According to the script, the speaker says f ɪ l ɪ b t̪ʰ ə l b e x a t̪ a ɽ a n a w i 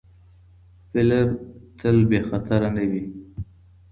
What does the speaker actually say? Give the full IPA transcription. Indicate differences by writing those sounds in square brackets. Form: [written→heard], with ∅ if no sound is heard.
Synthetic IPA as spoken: f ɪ l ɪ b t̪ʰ ə l b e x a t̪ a [ɽ→ɾ] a n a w i